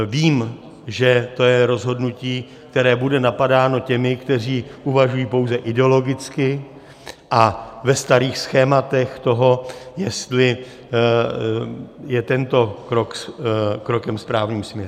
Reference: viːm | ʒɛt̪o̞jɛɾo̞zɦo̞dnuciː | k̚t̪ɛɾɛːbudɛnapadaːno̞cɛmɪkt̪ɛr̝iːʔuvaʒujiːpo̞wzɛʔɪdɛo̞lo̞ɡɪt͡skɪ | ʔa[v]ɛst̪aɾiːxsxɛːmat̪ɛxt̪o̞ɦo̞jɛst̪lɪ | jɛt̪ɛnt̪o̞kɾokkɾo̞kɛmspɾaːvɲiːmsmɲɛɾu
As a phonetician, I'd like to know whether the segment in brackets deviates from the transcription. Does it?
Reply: no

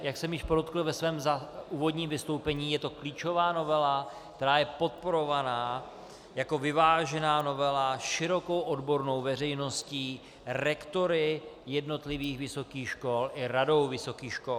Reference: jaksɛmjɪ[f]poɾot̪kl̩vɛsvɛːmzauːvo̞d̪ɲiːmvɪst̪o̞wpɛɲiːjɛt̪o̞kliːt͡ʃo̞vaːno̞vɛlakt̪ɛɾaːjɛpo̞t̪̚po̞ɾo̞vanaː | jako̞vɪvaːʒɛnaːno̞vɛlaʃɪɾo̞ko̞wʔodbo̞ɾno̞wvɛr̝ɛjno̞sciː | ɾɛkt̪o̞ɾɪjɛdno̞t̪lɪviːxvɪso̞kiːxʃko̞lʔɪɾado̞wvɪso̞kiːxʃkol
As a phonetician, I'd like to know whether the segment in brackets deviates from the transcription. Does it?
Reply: yes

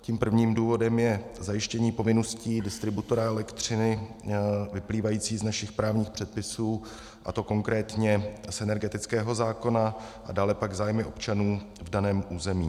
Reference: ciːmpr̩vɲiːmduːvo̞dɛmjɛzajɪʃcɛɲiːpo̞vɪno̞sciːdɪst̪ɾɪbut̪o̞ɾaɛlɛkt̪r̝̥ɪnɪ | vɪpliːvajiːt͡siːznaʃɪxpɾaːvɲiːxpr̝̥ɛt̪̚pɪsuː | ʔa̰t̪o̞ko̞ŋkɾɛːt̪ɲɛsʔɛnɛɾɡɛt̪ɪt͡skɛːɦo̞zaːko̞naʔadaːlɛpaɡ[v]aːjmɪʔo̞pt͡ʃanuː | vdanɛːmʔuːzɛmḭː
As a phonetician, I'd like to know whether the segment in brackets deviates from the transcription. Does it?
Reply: yes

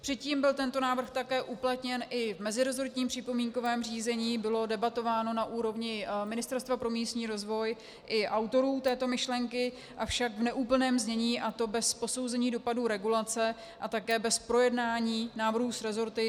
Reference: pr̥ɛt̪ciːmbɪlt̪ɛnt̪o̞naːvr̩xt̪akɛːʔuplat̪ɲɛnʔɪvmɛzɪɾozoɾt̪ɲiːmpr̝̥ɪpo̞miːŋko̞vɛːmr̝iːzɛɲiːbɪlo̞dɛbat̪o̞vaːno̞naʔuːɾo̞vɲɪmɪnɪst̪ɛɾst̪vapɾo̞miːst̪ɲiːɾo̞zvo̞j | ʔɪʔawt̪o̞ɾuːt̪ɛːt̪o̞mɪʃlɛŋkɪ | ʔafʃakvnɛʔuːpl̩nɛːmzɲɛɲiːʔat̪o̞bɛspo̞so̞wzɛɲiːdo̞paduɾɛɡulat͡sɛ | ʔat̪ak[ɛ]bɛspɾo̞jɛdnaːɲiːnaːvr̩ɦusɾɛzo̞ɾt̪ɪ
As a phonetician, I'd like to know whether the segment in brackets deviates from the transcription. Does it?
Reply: yes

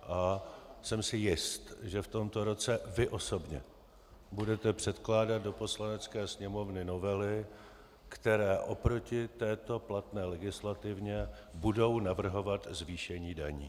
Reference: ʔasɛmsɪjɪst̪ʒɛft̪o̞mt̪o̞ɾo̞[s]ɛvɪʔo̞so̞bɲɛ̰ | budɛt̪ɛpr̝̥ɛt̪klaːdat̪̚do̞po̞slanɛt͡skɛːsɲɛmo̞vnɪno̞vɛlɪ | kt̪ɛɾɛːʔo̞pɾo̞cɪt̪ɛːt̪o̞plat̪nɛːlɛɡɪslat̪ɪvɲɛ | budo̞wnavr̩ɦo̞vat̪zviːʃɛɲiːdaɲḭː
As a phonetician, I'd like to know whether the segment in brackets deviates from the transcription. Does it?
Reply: yes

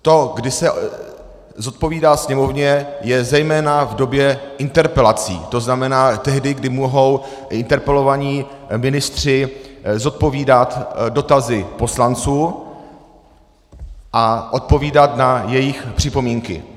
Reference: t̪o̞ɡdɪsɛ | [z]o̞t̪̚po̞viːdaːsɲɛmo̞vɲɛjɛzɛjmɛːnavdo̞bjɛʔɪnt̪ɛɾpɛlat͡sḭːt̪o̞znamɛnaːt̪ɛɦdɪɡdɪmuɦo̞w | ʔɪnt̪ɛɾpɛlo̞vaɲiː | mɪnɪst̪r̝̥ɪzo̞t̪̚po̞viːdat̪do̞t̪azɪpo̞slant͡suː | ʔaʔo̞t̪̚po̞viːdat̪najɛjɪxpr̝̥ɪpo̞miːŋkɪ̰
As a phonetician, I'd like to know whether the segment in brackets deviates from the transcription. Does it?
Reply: no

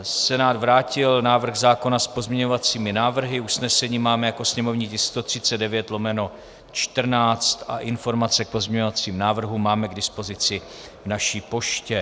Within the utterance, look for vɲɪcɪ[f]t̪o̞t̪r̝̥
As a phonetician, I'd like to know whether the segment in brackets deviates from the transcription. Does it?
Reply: yes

